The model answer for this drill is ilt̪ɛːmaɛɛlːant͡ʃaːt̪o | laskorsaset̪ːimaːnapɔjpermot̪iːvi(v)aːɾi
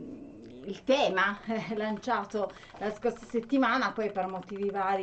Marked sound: correct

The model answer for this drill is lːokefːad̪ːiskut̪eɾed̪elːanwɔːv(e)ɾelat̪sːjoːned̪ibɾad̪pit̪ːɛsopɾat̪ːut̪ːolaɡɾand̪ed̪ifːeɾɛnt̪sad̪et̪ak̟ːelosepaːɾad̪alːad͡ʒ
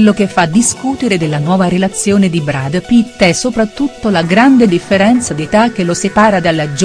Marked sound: incorrect: a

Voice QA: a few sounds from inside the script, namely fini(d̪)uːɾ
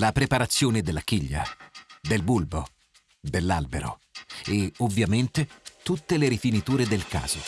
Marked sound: incorrect: t̪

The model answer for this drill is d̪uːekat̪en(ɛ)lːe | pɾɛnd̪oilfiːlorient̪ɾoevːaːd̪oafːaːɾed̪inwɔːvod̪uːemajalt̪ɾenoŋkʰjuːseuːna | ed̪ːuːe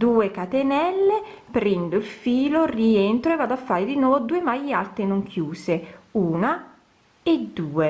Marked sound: correct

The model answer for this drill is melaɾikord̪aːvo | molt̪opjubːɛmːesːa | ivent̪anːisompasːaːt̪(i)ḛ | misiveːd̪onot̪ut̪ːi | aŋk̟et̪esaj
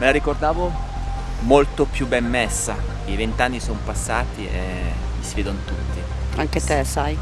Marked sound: correct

